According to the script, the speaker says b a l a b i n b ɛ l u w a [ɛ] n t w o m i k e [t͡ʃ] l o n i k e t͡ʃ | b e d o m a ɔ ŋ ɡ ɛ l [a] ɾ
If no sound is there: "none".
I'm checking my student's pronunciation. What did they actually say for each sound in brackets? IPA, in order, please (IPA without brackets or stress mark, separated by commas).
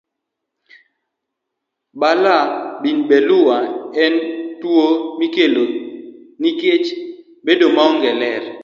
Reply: ɛ, none, ɛ